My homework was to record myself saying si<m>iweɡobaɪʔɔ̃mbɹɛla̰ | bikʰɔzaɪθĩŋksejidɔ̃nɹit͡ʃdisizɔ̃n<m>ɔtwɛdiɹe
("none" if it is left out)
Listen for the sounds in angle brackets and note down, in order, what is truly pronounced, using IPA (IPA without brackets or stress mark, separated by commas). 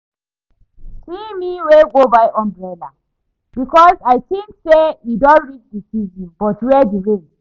m, b